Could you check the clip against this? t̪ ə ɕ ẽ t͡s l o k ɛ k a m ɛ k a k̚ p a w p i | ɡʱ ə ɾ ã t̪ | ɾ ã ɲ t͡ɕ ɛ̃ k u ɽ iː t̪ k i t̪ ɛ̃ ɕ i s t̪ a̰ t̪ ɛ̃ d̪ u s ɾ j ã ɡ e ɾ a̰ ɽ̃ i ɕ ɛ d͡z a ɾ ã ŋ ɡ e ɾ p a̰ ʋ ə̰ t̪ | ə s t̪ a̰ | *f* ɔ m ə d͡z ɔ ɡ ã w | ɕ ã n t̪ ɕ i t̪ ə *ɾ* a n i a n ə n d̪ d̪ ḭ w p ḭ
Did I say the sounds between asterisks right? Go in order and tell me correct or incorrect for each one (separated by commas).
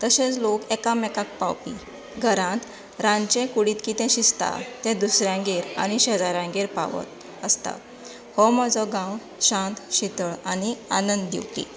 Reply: incorrect, incorrect